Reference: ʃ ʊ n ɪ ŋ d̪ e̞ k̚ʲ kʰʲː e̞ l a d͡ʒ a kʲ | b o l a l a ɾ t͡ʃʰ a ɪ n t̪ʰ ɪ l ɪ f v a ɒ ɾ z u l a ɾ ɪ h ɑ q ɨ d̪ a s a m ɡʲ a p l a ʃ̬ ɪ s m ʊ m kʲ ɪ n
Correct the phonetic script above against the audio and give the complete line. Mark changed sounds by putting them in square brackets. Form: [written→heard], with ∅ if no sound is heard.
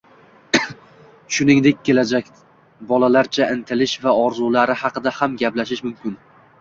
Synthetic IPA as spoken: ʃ ʊ n ɪ ŋ d̪ e̞ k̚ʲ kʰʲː e̞ l a d͡ʒ a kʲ | b [o→ɒ] l a l a ɾ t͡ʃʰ a ɪ n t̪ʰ ɪ l ɪ [f→ʃ] v a ɒ ɾ z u l a ɾ ɪ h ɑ q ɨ d̪ a [s→h] a m ɡʲ a p l a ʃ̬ ɪ [s→ʃ] m ʊ m kʲ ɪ n